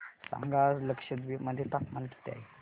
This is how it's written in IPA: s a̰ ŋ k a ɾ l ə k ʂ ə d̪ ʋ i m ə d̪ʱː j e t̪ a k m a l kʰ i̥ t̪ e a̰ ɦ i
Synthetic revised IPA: s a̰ ŋ ɡ a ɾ l ə k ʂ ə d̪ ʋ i m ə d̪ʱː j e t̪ a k m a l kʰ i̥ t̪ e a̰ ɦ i